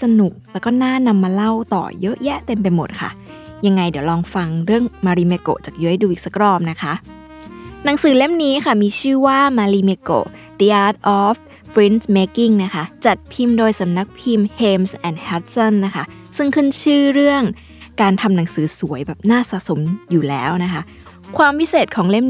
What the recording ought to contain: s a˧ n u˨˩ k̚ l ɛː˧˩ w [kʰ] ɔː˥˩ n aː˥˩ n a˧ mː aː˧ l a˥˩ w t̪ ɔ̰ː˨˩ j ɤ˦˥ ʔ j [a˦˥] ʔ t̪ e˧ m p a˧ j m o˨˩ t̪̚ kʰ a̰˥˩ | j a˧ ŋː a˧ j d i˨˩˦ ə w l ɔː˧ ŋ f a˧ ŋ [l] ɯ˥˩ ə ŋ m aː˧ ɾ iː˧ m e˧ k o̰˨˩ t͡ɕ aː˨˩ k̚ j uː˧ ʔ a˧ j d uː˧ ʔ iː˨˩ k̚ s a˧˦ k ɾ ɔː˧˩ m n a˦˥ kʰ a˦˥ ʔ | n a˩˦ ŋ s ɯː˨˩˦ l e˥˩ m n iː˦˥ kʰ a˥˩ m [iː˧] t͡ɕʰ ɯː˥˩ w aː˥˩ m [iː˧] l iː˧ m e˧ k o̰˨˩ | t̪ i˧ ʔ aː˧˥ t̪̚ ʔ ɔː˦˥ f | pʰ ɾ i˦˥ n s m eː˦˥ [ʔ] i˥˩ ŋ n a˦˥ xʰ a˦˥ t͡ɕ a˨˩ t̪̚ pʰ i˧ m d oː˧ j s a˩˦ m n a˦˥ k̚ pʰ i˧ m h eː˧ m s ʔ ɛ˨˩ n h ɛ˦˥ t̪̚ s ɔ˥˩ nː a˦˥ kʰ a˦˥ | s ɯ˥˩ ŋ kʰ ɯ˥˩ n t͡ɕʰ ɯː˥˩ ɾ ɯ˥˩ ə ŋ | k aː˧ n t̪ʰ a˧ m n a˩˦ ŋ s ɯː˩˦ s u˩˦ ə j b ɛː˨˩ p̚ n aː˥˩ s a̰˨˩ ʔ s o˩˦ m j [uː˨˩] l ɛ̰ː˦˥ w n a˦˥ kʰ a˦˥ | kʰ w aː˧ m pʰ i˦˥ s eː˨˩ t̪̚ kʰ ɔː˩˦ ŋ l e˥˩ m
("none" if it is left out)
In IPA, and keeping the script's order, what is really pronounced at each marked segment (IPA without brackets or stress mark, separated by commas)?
k, ɛ˦˥, ɾ, iː˧, aː˧, k, uː˨˩